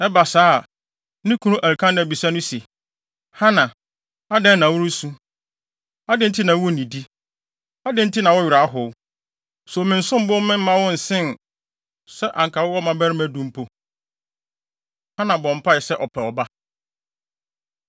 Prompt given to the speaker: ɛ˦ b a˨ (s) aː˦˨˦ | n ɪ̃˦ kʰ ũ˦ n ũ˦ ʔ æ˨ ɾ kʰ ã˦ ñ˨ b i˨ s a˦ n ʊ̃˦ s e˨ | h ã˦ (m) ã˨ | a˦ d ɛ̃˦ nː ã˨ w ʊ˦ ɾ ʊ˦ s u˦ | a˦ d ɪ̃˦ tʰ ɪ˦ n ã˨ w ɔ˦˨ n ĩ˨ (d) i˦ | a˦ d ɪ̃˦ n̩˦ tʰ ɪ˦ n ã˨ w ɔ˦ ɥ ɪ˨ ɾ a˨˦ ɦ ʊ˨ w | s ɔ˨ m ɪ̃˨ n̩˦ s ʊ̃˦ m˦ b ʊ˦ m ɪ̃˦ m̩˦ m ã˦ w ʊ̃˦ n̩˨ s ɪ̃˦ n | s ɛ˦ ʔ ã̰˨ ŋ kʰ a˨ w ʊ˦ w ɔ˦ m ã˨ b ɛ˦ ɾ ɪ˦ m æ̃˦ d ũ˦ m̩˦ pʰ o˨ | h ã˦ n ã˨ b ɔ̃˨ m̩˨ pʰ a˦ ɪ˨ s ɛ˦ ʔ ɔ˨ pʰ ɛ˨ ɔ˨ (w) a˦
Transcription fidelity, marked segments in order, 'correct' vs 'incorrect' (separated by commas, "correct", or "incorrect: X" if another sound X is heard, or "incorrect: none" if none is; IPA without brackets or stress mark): correct, incorrect: n, correct, incorrect: b